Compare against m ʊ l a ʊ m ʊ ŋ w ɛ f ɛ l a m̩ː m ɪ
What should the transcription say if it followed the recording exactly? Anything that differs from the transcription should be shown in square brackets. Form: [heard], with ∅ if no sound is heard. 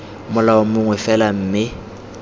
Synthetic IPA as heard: m ʊ l a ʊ m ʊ ŋ w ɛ f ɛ l a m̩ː m ɪ